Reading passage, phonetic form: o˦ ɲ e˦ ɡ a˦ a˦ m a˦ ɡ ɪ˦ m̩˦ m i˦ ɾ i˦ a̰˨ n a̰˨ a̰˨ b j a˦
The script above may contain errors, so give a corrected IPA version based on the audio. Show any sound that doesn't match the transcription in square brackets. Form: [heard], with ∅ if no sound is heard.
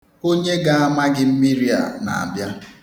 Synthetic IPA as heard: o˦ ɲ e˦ ɡ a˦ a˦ m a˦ ɡ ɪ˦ m̩˦ m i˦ ɾ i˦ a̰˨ n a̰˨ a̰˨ b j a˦

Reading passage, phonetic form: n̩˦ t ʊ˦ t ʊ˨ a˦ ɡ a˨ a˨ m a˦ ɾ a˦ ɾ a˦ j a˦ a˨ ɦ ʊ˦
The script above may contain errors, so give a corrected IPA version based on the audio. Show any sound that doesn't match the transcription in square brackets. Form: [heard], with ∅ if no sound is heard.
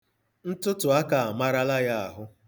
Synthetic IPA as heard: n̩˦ t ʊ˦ t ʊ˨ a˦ [k] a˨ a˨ m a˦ ɾ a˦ [l] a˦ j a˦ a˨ ɦ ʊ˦

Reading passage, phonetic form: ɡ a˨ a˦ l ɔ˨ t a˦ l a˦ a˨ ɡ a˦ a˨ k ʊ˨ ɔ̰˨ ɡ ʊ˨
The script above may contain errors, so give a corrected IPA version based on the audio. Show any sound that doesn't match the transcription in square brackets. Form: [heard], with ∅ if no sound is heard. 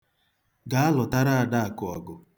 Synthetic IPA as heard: ɡ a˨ a˦ l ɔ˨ t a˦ [ɾ] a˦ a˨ [d] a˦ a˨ k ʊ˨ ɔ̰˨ ɡ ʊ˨

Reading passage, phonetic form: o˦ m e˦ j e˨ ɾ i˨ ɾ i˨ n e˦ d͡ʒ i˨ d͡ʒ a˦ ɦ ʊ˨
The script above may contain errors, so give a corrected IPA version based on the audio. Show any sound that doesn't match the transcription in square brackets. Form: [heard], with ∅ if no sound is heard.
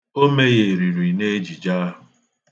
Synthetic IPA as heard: o˦ m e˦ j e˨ ɾ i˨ ɾ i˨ n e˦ d͡ʒ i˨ d͡ʒ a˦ ɦ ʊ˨

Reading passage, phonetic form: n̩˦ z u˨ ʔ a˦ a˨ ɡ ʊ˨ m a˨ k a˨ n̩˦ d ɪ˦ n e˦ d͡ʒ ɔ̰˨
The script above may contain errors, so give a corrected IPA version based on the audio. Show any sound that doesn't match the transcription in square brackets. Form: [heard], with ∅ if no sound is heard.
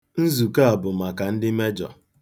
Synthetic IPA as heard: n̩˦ z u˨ [k] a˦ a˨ [b] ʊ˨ m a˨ k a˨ n̩˦ d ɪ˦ [m] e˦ d͡ʒ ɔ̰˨

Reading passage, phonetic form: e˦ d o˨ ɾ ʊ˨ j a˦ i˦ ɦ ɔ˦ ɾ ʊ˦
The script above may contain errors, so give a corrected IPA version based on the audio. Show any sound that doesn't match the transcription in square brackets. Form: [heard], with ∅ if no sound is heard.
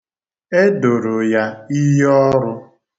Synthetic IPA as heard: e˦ d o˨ ɾ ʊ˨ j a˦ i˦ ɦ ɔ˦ ɾ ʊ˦

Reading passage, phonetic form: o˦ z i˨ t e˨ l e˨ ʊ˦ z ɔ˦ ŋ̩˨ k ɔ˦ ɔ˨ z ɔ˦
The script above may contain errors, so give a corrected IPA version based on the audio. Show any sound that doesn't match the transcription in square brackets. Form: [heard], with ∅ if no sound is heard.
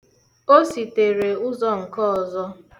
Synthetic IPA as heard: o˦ [s] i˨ t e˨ [ɾ] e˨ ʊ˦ z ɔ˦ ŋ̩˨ k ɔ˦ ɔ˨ z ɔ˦

